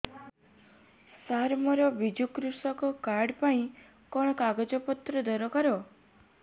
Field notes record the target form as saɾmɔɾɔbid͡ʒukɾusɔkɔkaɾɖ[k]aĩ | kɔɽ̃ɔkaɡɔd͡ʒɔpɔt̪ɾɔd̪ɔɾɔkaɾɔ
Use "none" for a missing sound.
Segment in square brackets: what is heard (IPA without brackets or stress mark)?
p